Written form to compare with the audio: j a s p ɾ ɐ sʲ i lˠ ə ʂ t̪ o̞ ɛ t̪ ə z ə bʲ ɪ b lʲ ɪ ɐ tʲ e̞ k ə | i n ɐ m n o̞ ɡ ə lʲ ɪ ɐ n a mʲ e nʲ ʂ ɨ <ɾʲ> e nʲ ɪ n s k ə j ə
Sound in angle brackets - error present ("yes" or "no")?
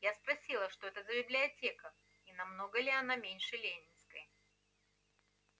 yes